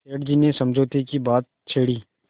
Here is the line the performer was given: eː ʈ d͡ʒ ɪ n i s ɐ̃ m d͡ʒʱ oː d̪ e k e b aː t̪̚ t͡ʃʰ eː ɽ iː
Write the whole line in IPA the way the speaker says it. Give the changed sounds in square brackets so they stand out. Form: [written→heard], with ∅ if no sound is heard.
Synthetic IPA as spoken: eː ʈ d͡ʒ [ɪ→i] n [i→e] s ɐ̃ m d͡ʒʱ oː [d̪→t̪] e k [e→i] b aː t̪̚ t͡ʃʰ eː ɽ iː